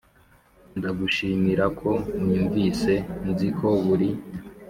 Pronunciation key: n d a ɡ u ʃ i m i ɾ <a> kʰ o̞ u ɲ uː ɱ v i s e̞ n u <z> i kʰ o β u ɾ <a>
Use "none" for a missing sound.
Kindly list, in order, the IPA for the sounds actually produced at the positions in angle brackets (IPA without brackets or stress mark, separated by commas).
a, z, i